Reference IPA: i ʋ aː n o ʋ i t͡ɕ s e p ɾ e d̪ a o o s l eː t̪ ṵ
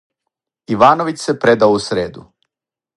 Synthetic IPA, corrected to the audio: i ʋ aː n o ʋ i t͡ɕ s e p ɾ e d̪ a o u s ɾ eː d̪ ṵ